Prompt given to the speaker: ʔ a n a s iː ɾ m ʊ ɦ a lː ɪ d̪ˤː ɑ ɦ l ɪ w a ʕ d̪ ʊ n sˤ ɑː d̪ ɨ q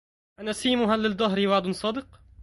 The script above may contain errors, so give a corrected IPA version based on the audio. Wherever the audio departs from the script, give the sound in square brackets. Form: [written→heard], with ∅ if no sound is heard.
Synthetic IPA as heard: ʔ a n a s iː [ɾ→∅] m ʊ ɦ a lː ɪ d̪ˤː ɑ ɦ [l→ɾ] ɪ w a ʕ d̪ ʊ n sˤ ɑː d̪ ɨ q